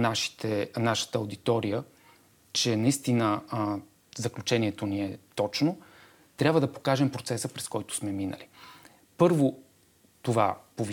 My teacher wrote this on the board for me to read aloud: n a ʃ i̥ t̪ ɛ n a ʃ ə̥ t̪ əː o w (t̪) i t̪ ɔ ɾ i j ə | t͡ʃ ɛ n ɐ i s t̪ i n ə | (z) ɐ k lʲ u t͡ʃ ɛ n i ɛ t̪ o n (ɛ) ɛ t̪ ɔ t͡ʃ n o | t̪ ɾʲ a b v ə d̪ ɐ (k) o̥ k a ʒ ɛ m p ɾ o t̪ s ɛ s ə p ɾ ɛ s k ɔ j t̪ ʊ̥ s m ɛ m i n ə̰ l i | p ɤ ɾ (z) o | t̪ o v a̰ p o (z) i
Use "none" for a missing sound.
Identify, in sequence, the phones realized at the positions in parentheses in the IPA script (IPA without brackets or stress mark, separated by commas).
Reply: d̪, z, i, p, v, v